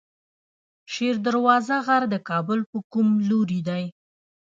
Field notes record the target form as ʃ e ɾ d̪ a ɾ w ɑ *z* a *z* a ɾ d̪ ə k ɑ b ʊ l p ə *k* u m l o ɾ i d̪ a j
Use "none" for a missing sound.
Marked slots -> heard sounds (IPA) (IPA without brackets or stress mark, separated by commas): z, ɣ, k